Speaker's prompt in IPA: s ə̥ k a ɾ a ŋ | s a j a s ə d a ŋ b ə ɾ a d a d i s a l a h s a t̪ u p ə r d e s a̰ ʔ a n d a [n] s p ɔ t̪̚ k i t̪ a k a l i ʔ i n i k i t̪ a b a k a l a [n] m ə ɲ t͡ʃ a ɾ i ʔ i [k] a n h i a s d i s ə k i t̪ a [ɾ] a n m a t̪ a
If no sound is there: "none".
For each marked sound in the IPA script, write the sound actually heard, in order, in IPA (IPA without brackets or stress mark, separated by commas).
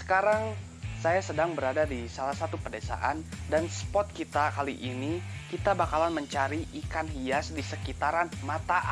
n, n, k, ɾ